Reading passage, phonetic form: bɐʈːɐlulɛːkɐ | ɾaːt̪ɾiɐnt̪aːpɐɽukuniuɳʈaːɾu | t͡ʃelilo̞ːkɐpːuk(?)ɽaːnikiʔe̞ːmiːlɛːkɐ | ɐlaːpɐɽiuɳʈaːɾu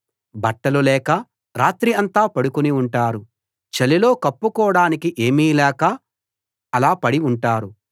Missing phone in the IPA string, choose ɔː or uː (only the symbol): ɔː